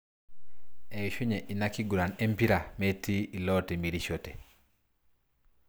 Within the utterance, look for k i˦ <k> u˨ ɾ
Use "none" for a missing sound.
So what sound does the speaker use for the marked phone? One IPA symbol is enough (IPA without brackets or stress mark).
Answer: ɡ